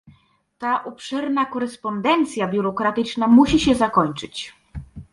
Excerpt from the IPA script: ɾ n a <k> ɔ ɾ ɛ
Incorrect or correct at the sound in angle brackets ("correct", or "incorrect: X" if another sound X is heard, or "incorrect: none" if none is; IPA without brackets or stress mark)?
correct